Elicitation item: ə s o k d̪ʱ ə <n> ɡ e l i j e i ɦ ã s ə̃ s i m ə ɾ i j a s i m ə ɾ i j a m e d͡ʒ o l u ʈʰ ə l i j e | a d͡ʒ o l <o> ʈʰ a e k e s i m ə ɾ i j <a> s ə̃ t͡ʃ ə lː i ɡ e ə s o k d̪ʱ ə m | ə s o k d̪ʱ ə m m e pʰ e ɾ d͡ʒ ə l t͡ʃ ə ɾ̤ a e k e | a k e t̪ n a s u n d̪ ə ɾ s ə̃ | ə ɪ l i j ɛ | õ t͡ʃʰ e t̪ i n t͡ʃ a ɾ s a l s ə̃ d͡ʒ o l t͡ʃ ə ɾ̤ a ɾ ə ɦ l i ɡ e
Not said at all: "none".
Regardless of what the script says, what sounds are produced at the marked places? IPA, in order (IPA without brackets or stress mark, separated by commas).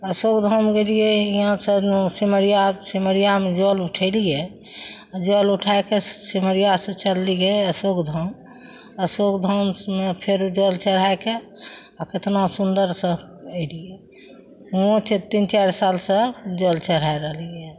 m, u, a